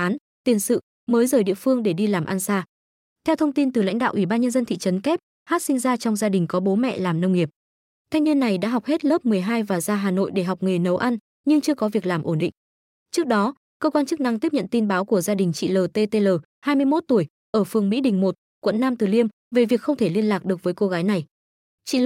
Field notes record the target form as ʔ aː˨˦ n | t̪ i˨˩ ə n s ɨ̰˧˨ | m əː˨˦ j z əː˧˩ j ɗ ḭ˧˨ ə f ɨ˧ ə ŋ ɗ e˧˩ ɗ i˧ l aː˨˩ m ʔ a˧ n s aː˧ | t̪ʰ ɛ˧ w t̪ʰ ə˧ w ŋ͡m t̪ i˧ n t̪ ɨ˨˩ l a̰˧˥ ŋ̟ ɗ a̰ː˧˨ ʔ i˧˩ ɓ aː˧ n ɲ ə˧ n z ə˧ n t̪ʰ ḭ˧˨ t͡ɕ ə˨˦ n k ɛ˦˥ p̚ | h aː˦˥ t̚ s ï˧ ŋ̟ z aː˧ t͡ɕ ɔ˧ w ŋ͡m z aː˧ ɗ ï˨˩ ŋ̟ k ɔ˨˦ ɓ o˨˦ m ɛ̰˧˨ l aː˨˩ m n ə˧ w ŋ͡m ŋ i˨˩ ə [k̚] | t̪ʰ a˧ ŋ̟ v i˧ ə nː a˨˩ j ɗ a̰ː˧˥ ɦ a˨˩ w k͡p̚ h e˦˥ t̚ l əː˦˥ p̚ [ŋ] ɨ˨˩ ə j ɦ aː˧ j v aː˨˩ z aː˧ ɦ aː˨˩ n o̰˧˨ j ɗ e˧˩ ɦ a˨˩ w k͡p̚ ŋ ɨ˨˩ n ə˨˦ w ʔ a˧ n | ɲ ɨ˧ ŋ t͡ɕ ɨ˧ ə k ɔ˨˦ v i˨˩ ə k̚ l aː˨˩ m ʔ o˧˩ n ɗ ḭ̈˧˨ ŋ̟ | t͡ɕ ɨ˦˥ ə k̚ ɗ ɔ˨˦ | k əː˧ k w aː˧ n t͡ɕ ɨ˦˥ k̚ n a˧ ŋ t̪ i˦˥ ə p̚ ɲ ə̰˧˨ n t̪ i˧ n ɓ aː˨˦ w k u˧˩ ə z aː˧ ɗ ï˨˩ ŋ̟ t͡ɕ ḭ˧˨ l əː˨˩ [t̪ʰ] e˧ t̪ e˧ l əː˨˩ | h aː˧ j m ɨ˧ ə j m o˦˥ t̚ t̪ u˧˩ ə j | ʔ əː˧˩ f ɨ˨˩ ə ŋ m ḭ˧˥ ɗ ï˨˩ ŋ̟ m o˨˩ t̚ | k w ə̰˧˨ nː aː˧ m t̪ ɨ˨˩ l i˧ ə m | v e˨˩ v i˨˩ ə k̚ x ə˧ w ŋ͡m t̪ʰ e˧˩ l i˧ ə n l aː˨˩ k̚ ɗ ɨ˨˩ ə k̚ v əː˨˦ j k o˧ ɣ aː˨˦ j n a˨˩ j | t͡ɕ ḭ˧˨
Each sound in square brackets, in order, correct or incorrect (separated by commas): incorrect, incorrect, incorrect